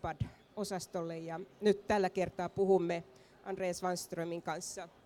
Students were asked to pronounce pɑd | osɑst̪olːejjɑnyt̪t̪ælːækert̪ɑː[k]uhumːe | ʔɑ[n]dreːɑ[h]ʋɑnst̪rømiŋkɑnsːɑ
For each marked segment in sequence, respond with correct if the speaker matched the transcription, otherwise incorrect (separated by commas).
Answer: incorrect, correct, incorrect